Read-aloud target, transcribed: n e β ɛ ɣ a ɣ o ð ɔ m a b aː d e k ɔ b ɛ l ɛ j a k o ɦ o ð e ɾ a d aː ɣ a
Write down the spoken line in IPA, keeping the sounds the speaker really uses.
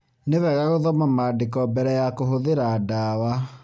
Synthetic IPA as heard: n e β ɛ ɣ a ɣ o ð ɔ m a m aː d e k ɔ b ɛ ɾ ɛ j a k o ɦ o ð e ɾ a d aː w a